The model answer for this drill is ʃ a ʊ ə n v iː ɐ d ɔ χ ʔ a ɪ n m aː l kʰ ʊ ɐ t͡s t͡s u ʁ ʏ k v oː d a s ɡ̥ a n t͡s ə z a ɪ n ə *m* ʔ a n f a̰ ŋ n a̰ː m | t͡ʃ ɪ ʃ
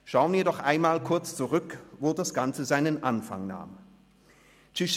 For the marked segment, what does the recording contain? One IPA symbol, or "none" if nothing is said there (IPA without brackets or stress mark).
n